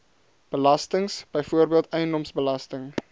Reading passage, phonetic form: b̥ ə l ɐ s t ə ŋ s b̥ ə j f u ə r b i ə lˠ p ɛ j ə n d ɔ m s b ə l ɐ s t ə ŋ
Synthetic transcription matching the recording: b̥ ə l ɐ s t ə ŋ s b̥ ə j f u ə r b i ə lˠ t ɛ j ə n d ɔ m s b ə l ɐ s t ə ŋ